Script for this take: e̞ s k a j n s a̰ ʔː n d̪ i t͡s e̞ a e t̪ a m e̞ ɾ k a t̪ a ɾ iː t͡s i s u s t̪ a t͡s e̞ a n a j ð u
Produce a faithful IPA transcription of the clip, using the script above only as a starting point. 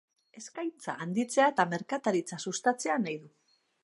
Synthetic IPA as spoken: e̞ s k a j n t͡s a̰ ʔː n d̪ i t͡s e̞ a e t̪ a m e̞ ɾ k a t̪ a ɾ i t͡s a s u s t̪ a t͡s e̞ a n a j ð u